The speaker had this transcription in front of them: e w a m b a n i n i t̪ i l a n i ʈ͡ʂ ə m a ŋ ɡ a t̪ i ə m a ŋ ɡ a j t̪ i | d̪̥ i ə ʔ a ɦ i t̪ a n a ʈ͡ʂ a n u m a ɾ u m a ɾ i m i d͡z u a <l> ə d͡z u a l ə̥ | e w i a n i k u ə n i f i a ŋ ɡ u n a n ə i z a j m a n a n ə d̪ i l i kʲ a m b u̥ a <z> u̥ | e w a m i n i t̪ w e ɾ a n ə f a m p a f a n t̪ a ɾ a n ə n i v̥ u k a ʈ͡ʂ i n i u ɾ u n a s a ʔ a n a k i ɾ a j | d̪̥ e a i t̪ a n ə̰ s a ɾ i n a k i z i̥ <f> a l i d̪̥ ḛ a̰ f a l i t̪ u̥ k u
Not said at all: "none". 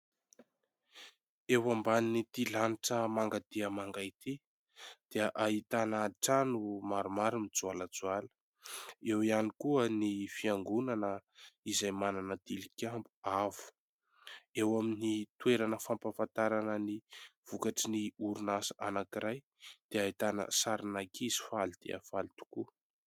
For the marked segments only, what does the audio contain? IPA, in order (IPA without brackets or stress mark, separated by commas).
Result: l, v, f